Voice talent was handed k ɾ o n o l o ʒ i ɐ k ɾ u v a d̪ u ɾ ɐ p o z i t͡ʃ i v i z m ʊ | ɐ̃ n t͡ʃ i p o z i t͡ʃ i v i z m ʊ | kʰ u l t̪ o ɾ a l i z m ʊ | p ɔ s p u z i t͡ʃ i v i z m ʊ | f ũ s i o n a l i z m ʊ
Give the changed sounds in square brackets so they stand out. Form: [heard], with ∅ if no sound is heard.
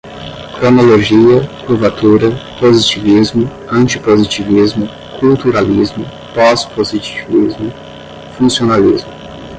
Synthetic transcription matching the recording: k ɾ o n o l o ʒ i ɐ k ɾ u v a [t̪] u ɾ ɐ p o z i t͡ʃ i v i z m ʊ | ɐ̃ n t͡ʃ i p o z i t͡ʃ i v i z m ʊ | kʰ u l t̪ [u] ɾ a l i z m ʊ | p ɔ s p [o] z i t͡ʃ i v i z m ʊ | f ũ s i o n a l i z m ʊ